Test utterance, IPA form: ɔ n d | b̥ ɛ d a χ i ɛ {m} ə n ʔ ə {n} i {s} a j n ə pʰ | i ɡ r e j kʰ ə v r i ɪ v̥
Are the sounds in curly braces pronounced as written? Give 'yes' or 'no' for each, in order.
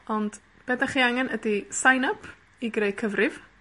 no, no, yes

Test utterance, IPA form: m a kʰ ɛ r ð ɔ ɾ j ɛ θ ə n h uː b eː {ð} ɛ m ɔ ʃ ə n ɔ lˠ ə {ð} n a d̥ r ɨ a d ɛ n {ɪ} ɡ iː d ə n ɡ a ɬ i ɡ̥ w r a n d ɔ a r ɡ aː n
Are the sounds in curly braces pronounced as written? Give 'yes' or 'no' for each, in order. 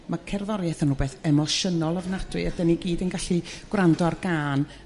no, no, no

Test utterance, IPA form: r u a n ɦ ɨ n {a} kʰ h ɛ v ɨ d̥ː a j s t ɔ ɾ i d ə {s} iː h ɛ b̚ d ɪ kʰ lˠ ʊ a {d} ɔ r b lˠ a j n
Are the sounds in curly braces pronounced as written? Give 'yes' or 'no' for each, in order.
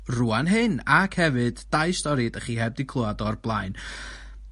yes, no, yes

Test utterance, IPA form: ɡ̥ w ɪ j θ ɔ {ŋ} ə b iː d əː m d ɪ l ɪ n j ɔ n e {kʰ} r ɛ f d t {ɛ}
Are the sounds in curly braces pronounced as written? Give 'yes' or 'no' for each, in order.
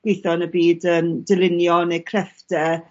no, yes, yes

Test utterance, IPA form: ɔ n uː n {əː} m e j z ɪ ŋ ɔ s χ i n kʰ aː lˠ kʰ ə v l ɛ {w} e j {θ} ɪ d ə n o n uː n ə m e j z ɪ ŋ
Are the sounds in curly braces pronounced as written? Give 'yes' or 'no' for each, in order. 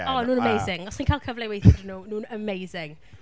no, yes, yes

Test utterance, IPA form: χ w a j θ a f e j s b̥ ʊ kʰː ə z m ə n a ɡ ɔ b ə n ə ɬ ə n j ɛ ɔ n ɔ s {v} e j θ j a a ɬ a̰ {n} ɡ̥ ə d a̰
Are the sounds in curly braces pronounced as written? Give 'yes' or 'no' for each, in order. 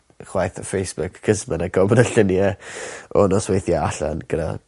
no, yes

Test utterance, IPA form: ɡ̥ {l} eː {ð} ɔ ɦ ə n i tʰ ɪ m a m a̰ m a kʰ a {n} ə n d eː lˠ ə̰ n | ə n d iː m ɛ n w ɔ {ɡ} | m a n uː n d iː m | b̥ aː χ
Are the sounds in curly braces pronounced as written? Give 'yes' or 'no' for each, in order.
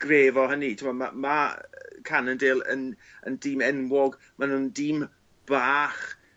no, no, yes, yes

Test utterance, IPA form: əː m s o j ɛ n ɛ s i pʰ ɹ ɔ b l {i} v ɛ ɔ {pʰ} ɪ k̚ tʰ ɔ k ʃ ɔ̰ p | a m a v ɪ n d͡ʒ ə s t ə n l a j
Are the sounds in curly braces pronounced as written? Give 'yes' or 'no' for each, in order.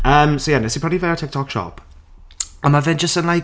yes, no

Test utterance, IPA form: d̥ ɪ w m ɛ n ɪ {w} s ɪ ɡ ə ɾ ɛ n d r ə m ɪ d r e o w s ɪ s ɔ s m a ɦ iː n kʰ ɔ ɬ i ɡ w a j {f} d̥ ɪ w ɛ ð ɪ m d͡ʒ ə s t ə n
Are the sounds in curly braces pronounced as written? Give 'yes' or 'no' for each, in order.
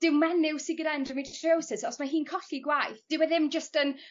yes, no

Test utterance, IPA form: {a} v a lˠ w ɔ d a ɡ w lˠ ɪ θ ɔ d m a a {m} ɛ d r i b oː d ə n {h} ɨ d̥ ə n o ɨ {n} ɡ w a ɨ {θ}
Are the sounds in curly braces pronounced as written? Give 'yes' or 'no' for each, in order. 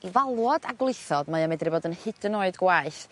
no, yes, yes, no, yes

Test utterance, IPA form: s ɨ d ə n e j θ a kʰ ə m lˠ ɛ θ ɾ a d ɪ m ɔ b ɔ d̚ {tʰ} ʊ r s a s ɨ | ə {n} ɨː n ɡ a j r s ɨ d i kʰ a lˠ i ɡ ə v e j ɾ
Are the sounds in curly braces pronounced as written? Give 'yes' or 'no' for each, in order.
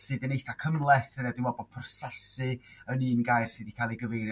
no, yes

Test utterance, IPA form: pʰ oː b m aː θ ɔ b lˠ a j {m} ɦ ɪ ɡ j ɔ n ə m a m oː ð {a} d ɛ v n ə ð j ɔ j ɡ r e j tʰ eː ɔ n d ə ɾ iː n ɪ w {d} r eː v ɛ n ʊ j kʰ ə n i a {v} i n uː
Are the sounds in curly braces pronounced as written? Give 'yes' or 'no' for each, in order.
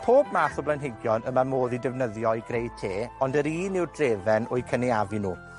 no, no, yes, yes

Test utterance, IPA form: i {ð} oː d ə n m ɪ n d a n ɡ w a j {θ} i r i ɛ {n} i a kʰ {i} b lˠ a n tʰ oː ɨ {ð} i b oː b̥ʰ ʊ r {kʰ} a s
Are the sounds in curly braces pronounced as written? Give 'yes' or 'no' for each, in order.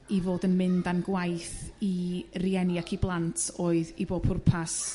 no, yes, yes, yes, yes, no

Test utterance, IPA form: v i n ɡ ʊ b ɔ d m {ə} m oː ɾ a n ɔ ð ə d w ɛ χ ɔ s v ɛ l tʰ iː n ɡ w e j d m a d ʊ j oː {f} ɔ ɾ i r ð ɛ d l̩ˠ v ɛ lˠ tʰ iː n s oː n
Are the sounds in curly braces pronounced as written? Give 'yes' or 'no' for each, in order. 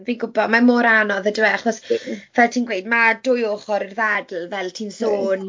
no, no

